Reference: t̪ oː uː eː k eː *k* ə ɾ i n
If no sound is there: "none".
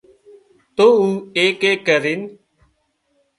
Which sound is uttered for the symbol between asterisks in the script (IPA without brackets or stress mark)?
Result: k